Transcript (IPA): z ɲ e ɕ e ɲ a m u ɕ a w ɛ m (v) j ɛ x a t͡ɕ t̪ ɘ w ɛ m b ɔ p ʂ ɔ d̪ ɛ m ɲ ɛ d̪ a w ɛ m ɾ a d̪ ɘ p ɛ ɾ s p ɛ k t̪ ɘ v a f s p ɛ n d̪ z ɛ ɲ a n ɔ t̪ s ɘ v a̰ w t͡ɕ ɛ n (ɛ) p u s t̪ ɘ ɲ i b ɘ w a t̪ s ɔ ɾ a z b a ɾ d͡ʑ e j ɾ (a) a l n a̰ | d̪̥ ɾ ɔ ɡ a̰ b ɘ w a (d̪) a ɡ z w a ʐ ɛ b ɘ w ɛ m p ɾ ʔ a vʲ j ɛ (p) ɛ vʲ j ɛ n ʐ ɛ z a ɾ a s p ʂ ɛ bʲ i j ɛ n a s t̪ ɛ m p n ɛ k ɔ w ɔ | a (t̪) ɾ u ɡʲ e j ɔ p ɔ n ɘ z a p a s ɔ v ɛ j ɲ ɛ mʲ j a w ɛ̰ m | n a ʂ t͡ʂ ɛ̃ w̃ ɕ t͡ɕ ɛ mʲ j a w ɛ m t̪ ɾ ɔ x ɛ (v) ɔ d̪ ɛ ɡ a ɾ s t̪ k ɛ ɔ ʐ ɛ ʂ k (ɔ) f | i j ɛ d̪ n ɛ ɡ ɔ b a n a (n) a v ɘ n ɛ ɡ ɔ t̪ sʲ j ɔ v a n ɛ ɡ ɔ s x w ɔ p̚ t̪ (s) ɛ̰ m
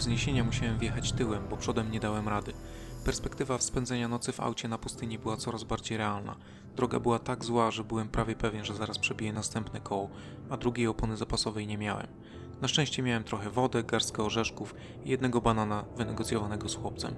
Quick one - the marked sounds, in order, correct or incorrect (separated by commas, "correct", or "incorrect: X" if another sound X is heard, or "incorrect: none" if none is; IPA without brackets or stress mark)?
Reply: correct, incorrect: a, incorrect: ɛ, incorrect: t̪, correct, incorrect: d̪, correct, incorrect: u, correct, correct